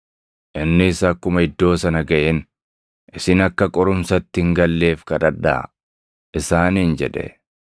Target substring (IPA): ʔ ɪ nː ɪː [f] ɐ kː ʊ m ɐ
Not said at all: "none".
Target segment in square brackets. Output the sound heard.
s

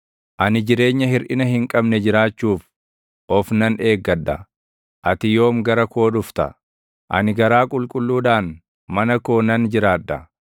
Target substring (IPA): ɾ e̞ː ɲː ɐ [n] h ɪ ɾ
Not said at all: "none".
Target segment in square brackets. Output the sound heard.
none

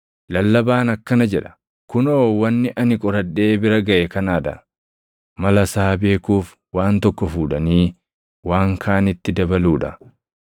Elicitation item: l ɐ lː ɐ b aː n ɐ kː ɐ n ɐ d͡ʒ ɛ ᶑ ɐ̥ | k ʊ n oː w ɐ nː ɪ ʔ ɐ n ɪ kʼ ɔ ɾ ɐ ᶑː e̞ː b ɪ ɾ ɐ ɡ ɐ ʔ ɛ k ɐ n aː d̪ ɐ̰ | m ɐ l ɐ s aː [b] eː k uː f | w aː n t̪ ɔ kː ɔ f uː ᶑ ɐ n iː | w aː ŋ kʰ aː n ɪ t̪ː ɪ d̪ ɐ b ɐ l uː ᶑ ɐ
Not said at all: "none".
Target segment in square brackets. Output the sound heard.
b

